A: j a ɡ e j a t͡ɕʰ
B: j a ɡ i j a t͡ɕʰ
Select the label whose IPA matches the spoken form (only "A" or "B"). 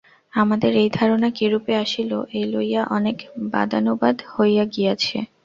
B